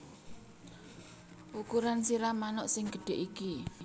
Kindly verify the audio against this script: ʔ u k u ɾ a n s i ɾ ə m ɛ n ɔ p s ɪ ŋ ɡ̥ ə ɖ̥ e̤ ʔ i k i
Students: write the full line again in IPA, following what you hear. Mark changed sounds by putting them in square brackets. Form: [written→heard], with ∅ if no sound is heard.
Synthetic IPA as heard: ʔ u k u ɾ a n s i ɾ [ə→a] m [ɛ→a] n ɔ [p→ʔ] s ɪ ŋ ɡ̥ ə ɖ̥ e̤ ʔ i k i